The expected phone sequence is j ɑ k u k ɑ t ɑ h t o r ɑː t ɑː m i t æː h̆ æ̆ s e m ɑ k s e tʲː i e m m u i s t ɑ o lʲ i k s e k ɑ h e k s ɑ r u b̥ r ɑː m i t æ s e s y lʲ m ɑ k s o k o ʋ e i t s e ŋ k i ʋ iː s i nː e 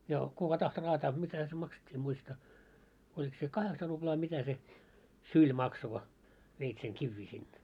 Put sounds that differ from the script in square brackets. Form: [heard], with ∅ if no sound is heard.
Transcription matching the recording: j ɑ k u k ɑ t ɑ h t o r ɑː t ɑː m i t [æ] h̆ æ̆ s e m ɑ k s e tʲː [iː] e m m u i s t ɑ o lʲ i k s e k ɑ h e k s ɑ r u b̥ [l] ɑː m i t æ s e s y lʲ m ɑ k s o k o ʋ e i t s e ŋ k i [ʋː] iː s i nː e

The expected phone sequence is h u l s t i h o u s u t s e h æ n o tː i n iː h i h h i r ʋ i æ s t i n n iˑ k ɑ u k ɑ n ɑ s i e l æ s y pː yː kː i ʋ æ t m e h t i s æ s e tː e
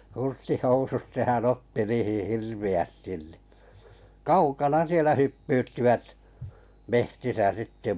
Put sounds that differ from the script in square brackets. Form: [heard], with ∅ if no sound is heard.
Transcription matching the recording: h u [r] s t i h o u s u t s e h æ n o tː i n iː h i h h i r ʋ i æ s t i n n iˑ k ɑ u k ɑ n ɑ s i e l æ [h] y pː yː [tː] i ʋ æ t m e h t i s æ s [i] tː e

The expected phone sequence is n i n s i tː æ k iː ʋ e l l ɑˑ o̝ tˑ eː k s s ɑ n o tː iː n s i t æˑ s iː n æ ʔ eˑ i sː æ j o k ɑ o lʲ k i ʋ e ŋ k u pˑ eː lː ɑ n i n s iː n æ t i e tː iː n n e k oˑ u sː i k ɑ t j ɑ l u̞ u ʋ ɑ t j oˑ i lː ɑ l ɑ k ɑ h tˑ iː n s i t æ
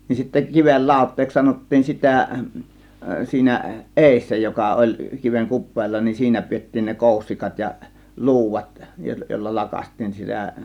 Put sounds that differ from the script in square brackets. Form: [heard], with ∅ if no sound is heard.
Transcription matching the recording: n i n s i tː æ k [i] ʋ e l l ɑˑ o̝ tˑ eː k s s ɑ n o tː iː n s i t æˑ s iː n æ ʔ eˑ i sː æ j o k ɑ o lʲ k i ʋ e ŋ k u pˑ eː lː ɑ n i n s iː n æ [p] i e tː iː n n e k oˑ u sː i k ɑ t j ɑ l u̞ u ʋ ɑ t j oˑ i lː ɑ l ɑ k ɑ [s] tˑ iː n s i t æ

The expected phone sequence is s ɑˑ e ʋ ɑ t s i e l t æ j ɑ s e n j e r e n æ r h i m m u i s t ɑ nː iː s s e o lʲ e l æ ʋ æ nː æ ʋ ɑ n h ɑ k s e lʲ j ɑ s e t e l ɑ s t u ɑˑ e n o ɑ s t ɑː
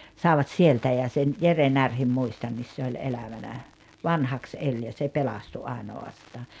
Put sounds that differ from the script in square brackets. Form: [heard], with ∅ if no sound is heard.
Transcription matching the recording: s ɑˑ e ʋ ɑ t s i e l t æ j ɑ s e n j e r e n æ r h i m m u i s t ɑ nː [i] s s e o lʲ e l æ ʋ æ [n] æ ʋ ɑ n h ɑ k s e lʲ j ɑ s e [p] e l ɑ s t u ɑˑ e n o ɑ s t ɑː

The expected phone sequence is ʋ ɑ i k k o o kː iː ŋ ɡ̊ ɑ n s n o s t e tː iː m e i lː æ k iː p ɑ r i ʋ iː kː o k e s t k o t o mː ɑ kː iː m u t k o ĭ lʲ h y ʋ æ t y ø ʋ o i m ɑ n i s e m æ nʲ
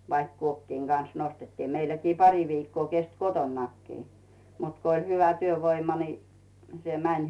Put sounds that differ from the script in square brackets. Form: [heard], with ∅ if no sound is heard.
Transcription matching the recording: ʋ ɑ i k k [u] o kː iː ŋ ɡ̊ ɑ n s n o s t e tː iː m e i lː æ k iː p ɑ r i ʋ iː kː [oː] k e s t k o t o [nː] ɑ kː iː m u t k o ĭ lʲ h y ʋ æ t y ø ʋ o i m ɑ n i s e m æ nʲ

